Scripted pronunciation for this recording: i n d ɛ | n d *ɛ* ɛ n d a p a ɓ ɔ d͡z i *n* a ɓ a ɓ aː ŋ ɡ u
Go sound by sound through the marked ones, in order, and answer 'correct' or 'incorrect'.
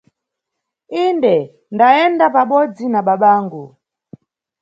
incorrect: a, correct

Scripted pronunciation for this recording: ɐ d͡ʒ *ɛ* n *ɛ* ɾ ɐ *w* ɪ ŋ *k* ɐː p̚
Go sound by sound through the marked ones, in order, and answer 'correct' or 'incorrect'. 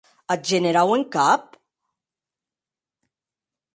correct, correct, correct, correct

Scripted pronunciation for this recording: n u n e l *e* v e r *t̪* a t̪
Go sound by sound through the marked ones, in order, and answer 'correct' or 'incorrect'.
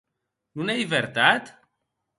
incorrect: i, correct

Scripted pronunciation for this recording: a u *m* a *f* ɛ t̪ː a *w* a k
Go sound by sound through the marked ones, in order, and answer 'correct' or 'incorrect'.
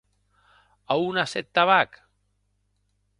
incorrect: n, incorrect: s, incorrect: β

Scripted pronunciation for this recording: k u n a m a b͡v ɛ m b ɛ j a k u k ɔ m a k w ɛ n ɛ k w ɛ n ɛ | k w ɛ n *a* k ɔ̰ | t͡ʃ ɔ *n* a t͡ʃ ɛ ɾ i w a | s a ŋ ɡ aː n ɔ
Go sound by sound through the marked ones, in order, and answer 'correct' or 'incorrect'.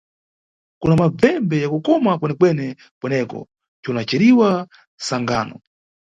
incorrect: ɛ, correct

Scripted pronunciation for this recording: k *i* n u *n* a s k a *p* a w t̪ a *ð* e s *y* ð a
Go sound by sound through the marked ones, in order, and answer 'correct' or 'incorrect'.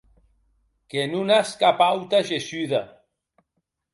incorrect: e, correct, correct, incorrect: ʒ, correct

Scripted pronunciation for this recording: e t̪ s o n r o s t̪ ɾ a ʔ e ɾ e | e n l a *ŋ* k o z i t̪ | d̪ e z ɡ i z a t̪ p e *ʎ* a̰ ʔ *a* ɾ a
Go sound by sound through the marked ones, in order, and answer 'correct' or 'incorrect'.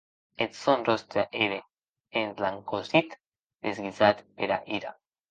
correct, incorrect: ɾ, incorrect: i

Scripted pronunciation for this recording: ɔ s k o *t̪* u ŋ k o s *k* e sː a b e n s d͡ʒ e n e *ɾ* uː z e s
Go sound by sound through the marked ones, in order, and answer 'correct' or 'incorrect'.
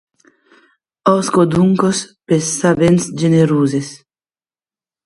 incorrect: d̪, incorrect: p, correct

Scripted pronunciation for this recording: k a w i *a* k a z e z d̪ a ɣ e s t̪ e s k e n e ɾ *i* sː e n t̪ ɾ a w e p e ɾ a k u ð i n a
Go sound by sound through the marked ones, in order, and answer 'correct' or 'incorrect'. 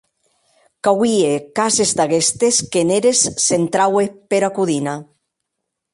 incorrect: e, incorrect: e

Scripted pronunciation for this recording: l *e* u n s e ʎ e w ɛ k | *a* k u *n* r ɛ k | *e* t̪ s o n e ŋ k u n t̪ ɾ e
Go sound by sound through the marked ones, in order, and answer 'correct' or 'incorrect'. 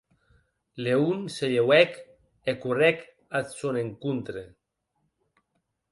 correct, incorrect: e, incorrect: none, incorrect: a

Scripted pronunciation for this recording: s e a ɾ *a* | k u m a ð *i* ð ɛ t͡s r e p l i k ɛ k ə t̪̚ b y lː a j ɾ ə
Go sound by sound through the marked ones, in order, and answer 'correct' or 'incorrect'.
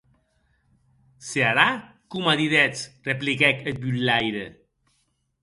correct, correct

